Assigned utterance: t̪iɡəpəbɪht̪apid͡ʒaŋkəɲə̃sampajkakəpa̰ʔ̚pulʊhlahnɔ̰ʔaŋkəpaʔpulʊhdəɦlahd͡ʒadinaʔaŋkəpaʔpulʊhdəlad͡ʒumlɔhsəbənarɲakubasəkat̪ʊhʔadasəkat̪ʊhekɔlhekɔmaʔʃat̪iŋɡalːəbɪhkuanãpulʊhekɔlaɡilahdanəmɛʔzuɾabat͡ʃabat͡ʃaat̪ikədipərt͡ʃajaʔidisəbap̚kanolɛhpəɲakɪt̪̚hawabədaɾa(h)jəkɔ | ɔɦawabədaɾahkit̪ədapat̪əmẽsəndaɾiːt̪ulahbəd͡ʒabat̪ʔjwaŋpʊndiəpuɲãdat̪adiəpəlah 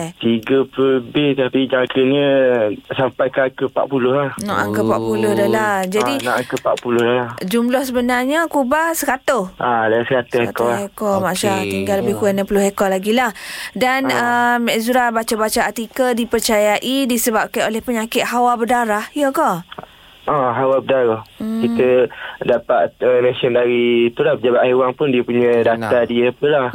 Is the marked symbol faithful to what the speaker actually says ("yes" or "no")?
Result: yes